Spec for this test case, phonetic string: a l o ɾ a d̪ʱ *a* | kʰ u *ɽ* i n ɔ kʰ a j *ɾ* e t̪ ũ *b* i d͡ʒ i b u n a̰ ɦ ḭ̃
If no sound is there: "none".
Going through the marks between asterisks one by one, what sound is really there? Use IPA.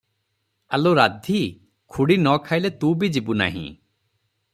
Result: i, ɽ, l, b

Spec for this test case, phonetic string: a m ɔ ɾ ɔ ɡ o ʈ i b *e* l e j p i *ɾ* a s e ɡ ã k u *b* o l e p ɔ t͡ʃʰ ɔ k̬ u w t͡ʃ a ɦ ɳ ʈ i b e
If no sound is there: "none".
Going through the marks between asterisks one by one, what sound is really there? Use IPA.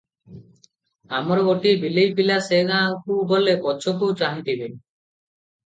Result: i, l, b

